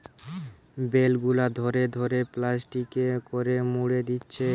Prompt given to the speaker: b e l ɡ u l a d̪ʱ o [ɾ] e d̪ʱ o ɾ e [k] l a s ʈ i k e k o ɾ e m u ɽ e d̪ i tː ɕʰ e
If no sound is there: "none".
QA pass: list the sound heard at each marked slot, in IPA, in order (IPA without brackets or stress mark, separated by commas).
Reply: ɾ, p